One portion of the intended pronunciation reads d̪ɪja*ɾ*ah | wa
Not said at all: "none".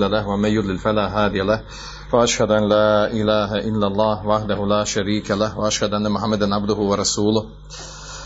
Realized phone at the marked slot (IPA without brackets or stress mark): l